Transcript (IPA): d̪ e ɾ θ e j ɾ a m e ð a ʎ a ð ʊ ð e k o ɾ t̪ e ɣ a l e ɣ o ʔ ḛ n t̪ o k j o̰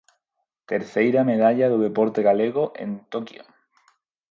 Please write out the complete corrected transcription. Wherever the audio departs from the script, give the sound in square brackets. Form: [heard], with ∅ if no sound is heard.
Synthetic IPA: [t̪] e ɾ θ e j ɾ a m e ð a ʎ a ð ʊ ð e [p] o ɾ t̪ e ɣ a l e ɣ o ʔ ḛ n t̪ o k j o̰